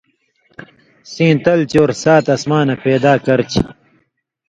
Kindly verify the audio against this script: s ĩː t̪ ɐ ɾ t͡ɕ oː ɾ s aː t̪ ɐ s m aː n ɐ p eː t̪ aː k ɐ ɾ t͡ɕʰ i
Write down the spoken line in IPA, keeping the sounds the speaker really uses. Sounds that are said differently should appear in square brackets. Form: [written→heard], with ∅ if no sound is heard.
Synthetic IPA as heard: s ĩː t̪ ɐ [ɾ→l] t͡ɕ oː ɾ s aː t̪ ɐ s m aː n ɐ p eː [t̪→d̪] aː k ɐ ɾ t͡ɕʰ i

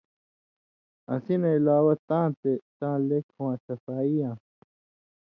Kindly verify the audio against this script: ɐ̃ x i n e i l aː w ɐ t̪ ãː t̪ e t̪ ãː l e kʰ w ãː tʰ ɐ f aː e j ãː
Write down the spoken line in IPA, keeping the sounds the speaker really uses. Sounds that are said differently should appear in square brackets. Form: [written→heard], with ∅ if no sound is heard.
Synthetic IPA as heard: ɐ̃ [x→s] i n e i l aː w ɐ t̪ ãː t̪ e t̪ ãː l e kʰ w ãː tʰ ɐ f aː [e→i] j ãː

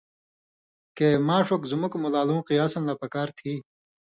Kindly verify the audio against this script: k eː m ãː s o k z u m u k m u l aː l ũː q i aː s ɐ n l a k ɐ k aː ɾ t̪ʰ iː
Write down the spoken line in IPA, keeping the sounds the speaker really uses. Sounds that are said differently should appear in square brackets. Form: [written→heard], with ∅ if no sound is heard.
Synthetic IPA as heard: k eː m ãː [s→ʂ] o k z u m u k m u l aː l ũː q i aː s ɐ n l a [k→p] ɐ k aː ɾ t̪ʰ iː

